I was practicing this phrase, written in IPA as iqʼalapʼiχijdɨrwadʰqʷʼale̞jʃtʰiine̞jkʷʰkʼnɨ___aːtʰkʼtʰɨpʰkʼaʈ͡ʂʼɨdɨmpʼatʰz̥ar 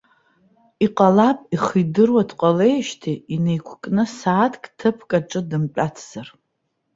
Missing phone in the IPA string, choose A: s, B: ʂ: A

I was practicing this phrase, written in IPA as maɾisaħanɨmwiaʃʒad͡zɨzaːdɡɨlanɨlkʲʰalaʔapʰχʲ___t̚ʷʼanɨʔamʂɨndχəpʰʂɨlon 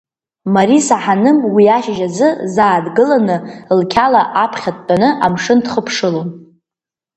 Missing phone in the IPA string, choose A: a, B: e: A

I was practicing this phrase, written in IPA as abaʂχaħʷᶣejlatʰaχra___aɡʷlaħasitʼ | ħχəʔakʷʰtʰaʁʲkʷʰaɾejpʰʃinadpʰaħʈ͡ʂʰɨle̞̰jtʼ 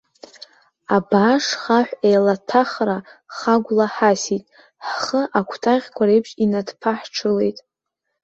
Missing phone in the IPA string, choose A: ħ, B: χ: B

